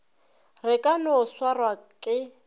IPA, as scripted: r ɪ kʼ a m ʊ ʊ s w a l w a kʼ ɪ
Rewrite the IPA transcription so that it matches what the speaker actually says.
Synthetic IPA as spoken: r ɪ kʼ a n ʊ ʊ s w a r w a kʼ ɪ